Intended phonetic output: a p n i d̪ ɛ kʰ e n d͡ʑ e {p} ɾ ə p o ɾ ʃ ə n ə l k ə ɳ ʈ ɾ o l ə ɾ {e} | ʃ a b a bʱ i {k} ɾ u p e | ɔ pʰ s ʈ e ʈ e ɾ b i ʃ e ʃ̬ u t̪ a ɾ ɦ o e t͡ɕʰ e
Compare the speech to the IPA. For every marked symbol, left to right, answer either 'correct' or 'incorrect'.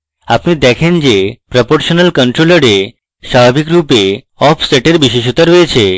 correct, correct, correct

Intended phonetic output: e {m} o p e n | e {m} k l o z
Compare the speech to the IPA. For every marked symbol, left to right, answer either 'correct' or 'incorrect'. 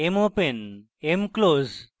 correct, correct

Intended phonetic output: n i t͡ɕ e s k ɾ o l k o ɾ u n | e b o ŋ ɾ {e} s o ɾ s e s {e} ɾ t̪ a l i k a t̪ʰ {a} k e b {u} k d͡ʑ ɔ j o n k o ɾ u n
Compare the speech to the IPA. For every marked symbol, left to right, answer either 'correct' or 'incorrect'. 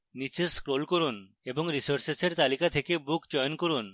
incorrect: i, correct, incorrect: e, correct

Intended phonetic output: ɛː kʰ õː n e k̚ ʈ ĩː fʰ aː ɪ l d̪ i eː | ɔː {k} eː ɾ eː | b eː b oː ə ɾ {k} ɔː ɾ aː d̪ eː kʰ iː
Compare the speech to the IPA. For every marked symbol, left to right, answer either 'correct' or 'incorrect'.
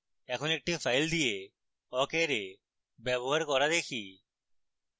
correct, correct

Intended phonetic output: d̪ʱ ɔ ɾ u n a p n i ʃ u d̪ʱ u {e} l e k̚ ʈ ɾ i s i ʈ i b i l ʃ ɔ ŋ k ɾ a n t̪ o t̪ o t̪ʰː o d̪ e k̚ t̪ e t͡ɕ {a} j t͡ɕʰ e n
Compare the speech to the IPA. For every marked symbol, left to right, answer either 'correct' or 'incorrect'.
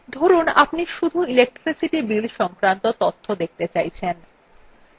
incorrect: i, correct

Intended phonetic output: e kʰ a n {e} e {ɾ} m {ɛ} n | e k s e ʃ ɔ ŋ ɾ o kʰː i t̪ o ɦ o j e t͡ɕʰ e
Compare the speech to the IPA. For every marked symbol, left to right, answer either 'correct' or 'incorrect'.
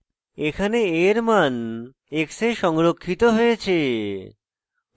correct, correct, incorrect: a

